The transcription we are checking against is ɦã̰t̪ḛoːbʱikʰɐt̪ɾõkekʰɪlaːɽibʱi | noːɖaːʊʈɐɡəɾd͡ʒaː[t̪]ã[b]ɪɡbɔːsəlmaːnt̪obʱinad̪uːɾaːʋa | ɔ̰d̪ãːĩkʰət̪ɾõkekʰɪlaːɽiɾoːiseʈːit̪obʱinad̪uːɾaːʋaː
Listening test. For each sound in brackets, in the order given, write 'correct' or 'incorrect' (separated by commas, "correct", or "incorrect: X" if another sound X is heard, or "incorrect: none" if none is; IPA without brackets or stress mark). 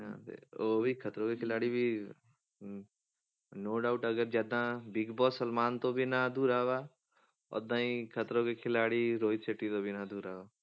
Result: incorrect: d̪, correct